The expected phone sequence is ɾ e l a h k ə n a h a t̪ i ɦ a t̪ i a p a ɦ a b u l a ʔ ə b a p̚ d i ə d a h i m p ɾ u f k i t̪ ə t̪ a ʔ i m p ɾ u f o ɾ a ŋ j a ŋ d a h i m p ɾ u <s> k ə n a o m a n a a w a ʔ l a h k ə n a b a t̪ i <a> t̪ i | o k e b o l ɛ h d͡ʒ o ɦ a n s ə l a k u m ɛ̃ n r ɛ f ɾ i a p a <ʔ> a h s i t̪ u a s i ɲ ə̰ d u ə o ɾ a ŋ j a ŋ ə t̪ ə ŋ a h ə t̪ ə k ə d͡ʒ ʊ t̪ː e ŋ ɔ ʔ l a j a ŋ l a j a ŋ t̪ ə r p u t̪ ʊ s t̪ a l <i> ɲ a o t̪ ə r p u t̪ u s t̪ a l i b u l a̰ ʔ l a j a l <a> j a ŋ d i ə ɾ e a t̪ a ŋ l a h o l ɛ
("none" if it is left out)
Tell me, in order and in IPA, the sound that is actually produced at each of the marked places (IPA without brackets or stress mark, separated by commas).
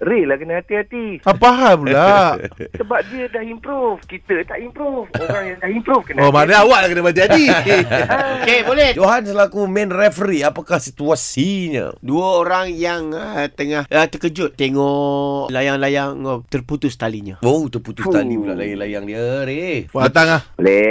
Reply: f, a, k, i, a